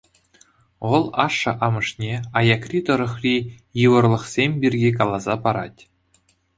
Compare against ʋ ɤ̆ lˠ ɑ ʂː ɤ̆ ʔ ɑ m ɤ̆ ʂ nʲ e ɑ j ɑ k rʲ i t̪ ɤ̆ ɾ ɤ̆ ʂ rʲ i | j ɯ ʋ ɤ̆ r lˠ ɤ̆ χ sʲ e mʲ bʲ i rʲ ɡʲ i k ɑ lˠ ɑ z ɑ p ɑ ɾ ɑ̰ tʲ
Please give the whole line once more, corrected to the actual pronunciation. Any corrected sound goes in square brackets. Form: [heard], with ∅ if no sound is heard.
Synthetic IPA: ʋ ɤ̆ lˠ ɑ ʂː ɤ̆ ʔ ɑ m ɤ̆ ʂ nʲ e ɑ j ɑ k rʲ i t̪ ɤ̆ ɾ ɤ̆ [χ] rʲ i | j ɯ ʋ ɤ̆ r lˠ ɤ̆ χ sʲ e mʲ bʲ i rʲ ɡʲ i k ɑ lˠ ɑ z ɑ p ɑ ɾ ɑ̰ tʲ